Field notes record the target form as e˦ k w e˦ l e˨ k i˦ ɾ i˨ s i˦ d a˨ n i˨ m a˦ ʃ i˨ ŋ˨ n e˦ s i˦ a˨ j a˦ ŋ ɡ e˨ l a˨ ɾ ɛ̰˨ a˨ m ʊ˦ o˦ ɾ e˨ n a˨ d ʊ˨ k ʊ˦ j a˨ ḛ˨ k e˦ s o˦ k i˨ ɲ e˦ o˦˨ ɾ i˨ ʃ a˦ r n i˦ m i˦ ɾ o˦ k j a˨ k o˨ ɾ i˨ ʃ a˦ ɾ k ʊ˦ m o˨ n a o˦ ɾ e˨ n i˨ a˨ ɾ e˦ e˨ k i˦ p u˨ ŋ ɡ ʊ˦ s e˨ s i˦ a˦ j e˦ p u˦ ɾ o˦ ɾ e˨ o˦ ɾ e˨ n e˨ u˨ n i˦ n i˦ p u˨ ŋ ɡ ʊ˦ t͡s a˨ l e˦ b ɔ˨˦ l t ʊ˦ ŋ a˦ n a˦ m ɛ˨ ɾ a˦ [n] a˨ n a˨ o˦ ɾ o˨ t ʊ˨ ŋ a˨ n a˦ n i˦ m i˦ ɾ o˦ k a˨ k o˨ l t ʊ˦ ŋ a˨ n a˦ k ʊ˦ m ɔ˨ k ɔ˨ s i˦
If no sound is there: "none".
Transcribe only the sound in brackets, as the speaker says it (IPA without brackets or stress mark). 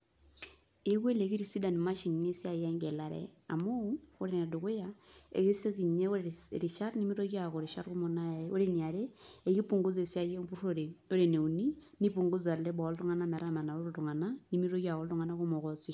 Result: m